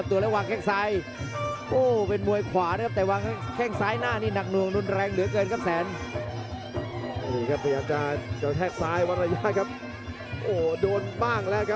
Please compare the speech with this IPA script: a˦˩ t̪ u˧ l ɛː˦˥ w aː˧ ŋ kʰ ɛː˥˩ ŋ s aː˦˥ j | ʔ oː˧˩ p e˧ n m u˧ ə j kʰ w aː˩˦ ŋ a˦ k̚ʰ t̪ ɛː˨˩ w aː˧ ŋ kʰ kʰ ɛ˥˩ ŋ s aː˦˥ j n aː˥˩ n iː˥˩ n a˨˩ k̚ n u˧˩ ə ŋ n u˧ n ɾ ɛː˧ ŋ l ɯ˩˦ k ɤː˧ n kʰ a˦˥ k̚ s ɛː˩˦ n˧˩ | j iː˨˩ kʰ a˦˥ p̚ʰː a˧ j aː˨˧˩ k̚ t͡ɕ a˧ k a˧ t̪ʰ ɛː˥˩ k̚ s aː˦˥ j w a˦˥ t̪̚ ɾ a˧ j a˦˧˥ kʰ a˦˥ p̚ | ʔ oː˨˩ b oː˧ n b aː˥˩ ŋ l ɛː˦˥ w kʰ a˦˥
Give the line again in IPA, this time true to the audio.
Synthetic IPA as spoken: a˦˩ t̪ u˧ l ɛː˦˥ w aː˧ ŋ kʰ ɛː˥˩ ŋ s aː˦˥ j | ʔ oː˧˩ p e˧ n m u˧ ə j kʰ w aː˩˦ n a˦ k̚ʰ t̪ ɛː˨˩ w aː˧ ŋ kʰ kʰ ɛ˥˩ ŋ s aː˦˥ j n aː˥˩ n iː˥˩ n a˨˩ k̚ n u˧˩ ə ŋ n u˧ n ɾ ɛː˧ ŋ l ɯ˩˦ k ɤː˧ n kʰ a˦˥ p̚ s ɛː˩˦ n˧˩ | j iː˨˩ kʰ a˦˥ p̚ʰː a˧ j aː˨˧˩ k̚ t͡ɕ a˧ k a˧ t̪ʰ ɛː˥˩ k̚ s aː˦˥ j w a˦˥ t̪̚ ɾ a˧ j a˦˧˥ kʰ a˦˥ p̚ | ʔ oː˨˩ d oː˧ n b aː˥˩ ŋ l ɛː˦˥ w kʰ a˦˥